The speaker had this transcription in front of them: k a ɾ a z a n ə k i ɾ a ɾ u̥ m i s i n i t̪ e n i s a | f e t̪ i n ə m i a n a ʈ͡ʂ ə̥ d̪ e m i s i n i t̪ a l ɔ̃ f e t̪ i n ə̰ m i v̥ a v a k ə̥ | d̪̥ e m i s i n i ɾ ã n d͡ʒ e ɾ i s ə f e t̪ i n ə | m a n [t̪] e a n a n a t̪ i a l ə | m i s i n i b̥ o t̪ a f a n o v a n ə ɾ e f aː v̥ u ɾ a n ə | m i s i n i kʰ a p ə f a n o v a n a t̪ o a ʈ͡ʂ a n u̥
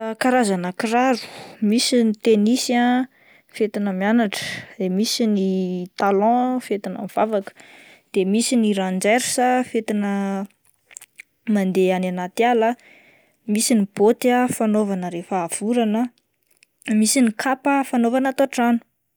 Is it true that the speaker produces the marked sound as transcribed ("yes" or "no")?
no